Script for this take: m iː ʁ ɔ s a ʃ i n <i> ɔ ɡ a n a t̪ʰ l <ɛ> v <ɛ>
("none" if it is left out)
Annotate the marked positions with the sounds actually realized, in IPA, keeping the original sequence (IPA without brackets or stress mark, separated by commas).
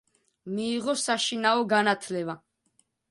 a, ɛ, a